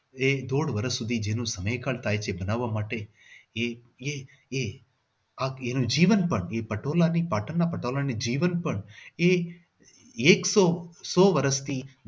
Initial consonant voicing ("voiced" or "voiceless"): voiced